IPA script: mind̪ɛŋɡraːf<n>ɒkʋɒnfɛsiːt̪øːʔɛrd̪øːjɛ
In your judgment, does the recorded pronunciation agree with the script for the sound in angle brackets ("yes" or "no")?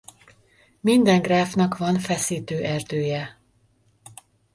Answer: yes